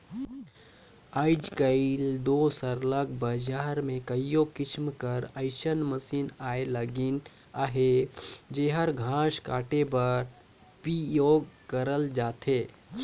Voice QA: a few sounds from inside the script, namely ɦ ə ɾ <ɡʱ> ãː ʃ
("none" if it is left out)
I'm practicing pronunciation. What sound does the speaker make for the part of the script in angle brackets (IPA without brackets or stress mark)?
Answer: ɡʱ